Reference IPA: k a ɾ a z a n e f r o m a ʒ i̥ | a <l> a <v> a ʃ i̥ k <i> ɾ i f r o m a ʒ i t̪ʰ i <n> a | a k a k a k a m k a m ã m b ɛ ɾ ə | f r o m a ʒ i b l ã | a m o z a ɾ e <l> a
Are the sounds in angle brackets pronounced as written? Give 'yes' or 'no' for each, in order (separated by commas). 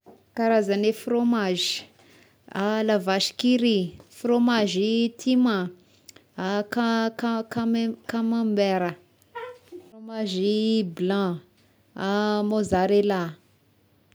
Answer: yes, yes, yes, no, yes